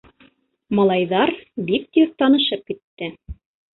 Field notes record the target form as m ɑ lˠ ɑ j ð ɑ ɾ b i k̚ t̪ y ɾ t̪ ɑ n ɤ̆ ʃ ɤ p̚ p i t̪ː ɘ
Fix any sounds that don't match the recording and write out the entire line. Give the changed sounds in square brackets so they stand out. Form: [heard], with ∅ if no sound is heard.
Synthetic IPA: m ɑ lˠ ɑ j ð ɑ ɾ b i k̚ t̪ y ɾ t̪ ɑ n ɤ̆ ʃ ɤ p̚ [k] i t̪ː ɘ